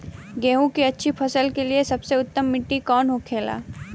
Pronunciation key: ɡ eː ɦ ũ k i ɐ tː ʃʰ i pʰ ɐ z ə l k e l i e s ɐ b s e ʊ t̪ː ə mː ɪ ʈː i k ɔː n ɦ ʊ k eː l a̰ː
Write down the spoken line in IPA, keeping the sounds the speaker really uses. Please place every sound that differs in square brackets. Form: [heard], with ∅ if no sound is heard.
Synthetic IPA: ɡ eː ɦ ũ k i ɐ tː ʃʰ i pʰ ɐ [s] ə l k e l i e s ɐ b s e ʊ t̪ː ə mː ɪ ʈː i k ɔː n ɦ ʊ [kʰ] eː l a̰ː